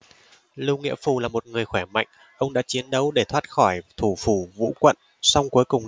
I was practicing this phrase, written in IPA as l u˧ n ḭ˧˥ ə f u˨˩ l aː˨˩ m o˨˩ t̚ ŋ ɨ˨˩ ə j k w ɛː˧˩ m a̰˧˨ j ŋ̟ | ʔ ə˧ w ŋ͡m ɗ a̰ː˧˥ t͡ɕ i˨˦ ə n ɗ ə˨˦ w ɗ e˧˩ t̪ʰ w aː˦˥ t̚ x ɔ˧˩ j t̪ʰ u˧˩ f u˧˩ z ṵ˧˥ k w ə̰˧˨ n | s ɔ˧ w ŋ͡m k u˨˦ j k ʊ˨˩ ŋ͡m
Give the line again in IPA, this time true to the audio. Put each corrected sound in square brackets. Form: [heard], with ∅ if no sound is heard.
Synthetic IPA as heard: l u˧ [ŋ] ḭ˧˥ ə f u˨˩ l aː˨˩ m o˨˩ t̚ ŋ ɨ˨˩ ə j [x] w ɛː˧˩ m a̰˧˨ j ŋ̟ | ʔ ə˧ w ŋ͡m ɗ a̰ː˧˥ t͡ɕ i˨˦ ə n ɗ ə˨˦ w ɗ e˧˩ t̪ʰ w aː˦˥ t̚ x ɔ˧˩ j t̪ʰ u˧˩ f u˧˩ [v] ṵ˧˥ k w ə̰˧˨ n | s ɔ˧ w ŋ͡m k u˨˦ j k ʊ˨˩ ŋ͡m